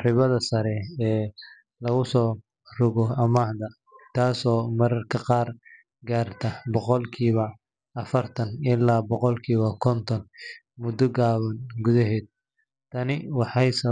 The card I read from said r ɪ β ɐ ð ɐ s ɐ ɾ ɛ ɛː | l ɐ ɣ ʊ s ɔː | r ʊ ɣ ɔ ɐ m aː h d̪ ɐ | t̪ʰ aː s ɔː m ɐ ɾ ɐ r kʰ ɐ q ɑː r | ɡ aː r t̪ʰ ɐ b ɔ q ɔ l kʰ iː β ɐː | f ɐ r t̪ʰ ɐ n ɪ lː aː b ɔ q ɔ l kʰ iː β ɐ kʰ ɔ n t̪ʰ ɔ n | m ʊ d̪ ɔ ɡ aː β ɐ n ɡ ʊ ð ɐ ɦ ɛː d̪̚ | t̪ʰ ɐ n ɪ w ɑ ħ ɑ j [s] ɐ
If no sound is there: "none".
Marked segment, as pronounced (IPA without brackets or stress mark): s